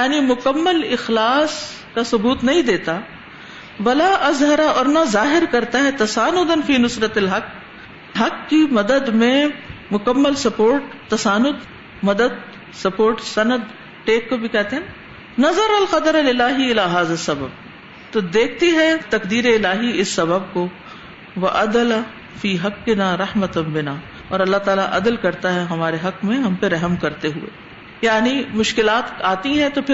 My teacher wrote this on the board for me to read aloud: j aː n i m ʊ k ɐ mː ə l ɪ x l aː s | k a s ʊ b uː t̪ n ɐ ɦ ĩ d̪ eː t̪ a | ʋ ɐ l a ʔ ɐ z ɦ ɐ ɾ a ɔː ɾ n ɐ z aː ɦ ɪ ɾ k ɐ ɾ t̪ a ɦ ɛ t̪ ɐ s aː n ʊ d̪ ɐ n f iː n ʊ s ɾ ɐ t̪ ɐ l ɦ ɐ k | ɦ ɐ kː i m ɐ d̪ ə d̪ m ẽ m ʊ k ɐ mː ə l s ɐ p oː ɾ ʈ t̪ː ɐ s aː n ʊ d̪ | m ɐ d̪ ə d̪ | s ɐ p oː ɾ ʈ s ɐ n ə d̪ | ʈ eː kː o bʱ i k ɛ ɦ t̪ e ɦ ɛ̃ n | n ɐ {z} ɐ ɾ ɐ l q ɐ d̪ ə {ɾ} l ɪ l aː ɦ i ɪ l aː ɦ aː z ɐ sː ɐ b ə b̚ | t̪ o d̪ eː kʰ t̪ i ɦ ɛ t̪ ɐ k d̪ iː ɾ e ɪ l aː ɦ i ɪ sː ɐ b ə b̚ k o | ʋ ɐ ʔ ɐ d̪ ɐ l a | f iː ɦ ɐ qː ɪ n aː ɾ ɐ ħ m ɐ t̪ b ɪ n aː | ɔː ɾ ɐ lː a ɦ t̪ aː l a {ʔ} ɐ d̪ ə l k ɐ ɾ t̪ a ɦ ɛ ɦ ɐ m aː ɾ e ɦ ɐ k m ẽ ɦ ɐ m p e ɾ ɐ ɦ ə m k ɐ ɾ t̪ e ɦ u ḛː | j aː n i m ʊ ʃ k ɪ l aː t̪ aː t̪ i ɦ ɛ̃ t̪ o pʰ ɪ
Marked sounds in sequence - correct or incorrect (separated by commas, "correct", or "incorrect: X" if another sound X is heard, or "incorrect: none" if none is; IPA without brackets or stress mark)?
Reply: correct, correct, correct